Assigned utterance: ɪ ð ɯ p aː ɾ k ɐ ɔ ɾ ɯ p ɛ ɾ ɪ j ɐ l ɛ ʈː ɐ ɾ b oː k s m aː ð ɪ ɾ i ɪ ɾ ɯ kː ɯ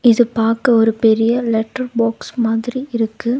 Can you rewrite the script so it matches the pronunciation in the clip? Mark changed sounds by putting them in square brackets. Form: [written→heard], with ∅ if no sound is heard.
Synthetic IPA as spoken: ɪ ð ɯ p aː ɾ k ɐ ɔ ɾ ɯ p ɛ ɾ ɪ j ɐ l ɛ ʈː ɐ ɾ b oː k s m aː ð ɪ ɾ i ɪ ɾ ɯ kː ɯ

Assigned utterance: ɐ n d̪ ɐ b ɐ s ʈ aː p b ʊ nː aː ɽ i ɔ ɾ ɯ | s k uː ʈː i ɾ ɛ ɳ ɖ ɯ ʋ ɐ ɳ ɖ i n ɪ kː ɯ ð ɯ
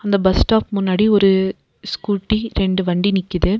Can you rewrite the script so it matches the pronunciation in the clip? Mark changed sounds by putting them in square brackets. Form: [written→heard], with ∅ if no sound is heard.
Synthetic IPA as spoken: ɐ n d̪ ɐ b ɐ s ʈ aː p [b→m] ʊ nː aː ɽ i ɔ ɾ ɯ | s k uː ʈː i ɾ ɛ ɳ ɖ ɯ ʋ ɐ ɳ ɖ i n ɪ kː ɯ ð ɯ

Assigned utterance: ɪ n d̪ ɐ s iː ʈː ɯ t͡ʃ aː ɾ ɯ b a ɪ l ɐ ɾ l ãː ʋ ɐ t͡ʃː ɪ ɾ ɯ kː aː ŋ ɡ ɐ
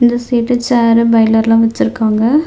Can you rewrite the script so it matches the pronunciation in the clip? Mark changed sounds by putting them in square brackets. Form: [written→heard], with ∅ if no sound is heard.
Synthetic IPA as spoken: ɪ n d̪ ɐ s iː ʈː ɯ t͡ʃ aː ɾ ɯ b [a→ɐ] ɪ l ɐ ɾ l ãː ʋ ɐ t͡ʃː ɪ ɾ ɯ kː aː ŋ ɡ ɐ

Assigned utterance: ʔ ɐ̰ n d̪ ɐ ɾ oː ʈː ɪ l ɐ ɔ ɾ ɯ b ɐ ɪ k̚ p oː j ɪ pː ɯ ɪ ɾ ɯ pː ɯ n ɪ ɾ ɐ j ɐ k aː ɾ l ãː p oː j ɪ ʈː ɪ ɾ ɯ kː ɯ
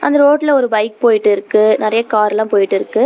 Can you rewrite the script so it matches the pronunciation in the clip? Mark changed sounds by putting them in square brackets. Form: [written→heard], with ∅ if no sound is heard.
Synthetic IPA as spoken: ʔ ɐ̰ n d̪ ɐ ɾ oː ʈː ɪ l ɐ ɔ ɾ ɯ b ɐ ɪ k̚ p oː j ɪ [pː→ʈː] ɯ ɪ ɾ ɯ [pː→kː] ɯ n ɪ ɾ ɐ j ɐ k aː ɾ l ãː p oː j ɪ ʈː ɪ ɾ ɯ kː ɯ

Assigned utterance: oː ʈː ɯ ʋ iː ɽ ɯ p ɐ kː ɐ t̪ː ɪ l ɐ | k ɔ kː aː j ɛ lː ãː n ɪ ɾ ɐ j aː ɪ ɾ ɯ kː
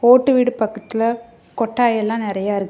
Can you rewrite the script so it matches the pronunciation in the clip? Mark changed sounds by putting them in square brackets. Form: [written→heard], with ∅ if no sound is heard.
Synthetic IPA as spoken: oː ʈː ɯ ʋ iː ɽ ɯ p ɐ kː ɐ t̪ː ɪ l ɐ | k ɔ [kː→ʈː] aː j ɛ lː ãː n ɪ ɾ ɐ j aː ɪ ɾ ɯ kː

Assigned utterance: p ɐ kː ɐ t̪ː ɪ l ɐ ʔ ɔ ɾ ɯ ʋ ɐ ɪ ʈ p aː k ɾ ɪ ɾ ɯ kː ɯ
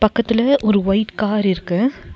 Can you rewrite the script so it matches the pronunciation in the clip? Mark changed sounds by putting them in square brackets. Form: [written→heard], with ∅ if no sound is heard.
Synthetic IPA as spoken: p ɐ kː ɐ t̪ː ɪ l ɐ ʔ ɔ ɾ ɯ ʋ ɐ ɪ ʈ [p→k] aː [k→∅] ɾ ɪ ɾ ɯ kː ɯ

